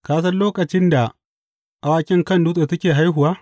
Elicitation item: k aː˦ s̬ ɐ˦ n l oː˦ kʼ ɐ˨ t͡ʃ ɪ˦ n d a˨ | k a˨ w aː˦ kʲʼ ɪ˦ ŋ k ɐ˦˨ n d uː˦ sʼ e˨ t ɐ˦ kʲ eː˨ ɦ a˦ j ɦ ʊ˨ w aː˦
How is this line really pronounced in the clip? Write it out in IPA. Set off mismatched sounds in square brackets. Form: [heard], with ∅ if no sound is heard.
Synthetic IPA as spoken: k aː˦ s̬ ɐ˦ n l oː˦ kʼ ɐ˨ t͡ʃ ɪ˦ n d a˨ | [ʔ] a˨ w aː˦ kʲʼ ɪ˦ ŋ k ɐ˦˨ n d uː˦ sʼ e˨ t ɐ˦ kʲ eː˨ ɦ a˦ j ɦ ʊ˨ w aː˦

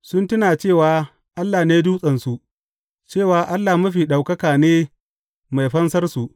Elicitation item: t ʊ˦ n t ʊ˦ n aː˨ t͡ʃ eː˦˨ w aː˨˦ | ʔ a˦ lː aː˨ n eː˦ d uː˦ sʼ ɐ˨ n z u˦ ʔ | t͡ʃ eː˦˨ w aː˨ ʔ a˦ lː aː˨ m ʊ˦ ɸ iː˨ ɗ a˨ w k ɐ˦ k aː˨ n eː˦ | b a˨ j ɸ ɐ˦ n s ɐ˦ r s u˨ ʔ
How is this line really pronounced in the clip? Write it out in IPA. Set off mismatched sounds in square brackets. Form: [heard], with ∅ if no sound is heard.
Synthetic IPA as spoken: [s] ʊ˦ n t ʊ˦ n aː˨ t͡ʃ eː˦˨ w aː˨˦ | ʔ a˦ lː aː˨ n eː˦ d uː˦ sʼ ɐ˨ n [s] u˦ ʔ | t͡ʃ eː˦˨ w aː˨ ʔ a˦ lː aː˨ m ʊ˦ ɸ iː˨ ɗ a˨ w k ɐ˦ k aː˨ n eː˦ | [m] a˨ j ɸ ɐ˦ n s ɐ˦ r s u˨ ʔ

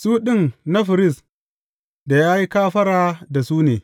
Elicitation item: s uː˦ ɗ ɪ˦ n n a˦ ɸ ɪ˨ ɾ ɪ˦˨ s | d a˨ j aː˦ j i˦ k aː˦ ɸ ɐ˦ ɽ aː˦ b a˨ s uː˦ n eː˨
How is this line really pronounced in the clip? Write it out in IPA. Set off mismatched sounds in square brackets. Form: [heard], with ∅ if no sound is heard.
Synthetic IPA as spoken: s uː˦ ɗ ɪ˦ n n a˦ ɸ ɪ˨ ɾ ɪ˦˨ s | d a˨ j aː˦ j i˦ k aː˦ ɸ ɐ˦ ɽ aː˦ [d] a˨ s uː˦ n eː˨

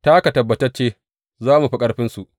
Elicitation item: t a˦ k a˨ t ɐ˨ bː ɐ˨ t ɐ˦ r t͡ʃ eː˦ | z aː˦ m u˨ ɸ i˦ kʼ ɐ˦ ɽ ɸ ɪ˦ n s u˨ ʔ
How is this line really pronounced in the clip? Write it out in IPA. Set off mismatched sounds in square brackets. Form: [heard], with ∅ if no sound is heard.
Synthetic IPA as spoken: t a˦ k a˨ t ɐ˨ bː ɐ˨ t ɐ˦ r t͡ʃ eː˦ | z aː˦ m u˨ ɸ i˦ kʼ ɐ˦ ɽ ɸ ɪ˦ n s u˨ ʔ

